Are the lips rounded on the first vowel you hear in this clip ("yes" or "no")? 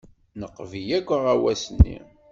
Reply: no